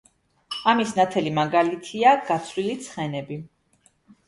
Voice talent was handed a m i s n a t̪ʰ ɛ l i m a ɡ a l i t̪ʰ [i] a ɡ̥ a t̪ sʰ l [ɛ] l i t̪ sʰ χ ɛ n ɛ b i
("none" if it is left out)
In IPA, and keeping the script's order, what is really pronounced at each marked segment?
i, i

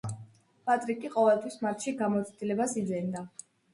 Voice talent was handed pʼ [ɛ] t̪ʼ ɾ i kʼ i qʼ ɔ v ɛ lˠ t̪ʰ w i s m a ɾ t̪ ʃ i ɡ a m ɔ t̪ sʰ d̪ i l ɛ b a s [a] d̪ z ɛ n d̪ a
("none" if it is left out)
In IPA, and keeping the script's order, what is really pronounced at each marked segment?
a, i

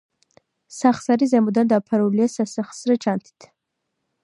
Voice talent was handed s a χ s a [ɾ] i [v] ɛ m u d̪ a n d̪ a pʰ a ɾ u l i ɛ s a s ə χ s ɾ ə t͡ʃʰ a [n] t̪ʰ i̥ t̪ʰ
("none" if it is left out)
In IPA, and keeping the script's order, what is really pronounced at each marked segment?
ɾ, z, n

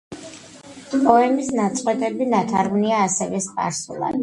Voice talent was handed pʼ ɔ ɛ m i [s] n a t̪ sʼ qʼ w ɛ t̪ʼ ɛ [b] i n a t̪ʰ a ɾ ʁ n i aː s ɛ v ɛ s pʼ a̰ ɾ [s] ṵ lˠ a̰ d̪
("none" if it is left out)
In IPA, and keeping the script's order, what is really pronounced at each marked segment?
s, b, s

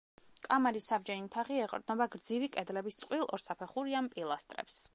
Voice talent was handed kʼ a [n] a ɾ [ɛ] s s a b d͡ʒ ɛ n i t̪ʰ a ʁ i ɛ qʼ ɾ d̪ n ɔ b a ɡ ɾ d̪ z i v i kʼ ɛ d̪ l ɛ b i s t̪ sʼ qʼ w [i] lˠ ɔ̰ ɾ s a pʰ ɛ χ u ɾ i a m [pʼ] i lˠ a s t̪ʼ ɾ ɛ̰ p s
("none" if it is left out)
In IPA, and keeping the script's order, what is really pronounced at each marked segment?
m, i, i, pʼ

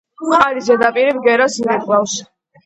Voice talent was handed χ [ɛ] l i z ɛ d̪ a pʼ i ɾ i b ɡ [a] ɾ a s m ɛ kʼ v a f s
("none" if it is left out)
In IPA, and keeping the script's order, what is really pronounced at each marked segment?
a, ɛ

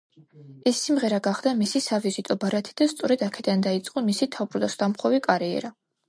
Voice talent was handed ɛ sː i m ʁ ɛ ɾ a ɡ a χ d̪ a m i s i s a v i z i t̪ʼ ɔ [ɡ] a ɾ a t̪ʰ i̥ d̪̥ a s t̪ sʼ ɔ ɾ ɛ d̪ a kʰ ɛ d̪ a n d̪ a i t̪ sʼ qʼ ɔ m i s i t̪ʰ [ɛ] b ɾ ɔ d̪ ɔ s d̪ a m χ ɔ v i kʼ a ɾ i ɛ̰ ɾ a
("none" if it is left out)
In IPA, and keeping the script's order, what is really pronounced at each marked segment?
b, a

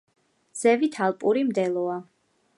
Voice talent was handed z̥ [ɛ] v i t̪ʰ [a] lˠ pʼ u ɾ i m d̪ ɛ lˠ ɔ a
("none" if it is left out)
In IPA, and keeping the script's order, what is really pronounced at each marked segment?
ɛ, a

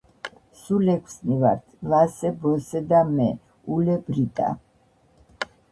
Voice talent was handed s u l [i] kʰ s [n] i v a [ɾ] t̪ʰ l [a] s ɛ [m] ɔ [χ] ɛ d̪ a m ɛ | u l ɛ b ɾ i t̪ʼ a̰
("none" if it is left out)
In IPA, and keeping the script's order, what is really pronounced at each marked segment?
ɛ, n, ɾ, a, b, s

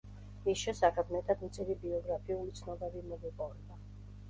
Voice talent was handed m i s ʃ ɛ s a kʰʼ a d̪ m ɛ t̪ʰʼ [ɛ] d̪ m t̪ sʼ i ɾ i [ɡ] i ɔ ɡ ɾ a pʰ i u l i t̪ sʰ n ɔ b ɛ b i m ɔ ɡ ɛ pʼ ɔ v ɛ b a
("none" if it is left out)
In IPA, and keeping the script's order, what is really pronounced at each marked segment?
a, b

